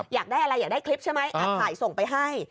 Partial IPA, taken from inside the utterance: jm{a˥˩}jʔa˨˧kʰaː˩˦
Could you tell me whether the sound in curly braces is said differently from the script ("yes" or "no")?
yes